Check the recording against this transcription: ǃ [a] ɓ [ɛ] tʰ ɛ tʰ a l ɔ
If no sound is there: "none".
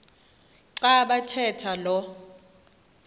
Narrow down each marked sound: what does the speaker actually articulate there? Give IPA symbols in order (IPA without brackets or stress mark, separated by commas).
a, a